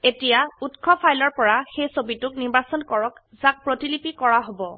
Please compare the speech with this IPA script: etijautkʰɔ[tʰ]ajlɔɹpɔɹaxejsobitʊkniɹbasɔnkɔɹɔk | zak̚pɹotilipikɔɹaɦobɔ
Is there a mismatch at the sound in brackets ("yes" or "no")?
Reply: yes